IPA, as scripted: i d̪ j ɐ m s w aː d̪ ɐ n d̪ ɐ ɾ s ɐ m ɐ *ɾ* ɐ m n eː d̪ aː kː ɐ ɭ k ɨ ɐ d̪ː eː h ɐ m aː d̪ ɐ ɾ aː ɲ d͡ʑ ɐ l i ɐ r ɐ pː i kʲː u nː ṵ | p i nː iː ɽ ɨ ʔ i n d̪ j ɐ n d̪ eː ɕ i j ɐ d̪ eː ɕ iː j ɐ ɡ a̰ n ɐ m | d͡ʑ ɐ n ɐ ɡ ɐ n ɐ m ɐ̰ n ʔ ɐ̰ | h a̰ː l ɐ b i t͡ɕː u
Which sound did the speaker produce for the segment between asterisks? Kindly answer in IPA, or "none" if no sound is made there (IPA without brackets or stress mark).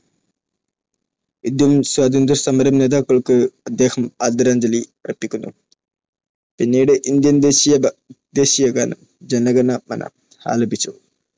ɾ